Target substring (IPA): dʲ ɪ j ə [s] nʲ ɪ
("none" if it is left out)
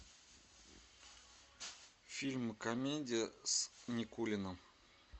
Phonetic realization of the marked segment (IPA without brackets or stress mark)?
s